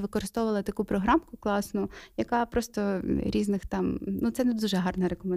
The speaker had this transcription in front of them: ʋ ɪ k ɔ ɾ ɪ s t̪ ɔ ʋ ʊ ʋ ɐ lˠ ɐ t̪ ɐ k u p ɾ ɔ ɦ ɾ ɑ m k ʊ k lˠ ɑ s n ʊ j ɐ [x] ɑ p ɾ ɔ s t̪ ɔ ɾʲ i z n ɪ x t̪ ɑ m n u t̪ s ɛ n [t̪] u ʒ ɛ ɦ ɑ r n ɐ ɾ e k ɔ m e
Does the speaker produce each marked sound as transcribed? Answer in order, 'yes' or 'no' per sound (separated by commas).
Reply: no, no